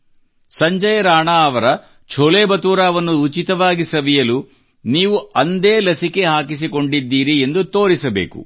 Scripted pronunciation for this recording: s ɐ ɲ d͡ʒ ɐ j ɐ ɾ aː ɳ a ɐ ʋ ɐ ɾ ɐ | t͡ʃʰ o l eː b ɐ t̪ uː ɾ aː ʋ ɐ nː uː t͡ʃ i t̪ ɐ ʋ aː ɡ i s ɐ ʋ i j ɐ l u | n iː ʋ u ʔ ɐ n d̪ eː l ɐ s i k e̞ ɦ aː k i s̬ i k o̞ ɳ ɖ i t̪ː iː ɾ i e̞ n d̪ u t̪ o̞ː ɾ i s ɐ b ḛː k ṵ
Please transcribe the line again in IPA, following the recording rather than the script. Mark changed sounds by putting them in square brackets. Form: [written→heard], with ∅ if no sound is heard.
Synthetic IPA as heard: s ɐ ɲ d͡ʒ ɐ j ɐ ɾ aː ɳ a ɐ ʋ ɐ ɾ ɐ | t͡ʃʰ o l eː b ɐ t̪ uː ɾ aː ʋ ɐ nː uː t͡ʃ i t̪ ɐ ʋ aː ɡ i s ɐ ʋ i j ɐ l u | n iː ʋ u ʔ ɐ n d̪ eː l ɐ s i k e̞ ɦ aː k i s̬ i k o̞ ɳ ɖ i [t̪ː→d̪ː] iː ɾ i e̞ n d̪ u t̪ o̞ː ɾ i s ɐ b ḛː k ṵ